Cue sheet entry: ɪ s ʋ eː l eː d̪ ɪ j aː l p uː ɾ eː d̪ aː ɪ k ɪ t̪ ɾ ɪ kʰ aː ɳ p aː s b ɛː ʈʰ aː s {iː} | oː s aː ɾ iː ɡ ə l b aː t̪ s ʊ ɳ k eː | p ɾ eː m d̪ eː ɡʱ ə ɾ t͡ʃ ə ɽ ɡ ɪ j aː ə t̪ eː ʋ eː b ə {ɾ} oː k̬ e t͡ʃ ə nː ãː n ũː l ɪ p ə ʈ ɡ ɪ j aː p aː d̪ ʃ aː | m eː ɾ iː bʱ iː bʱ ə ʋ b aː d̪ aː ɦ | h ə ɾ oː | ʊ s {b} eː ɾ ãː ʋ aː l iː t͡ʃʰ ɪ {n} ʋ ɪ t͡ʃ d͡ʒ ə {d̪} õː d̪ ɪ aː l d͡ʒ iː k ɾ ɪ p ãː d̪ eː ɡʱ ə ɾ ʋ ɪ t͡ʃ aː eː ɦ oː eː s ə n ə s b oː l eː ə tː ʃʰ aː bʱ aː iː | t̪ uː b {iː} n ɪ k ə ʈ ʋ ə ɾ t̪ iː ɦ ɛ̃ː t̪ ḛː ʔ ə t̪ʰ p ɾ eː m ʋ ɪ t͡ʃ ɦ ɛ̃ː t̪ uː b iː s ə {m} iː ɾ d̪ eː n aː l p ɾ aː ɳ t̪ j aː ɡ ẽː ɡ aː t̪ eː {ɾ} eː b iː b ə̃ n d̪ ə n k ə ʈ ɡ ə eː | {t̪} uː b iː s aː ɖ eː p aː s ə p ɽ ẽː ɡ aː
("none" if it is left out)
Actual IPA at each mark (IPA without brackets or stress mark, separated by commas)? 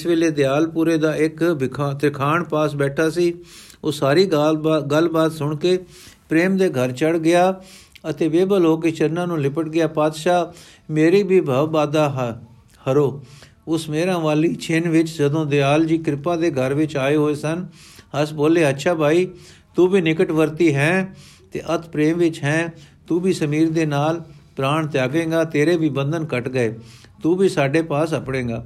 iː, l, m, n, d̪, iː, m, ɾ, t̪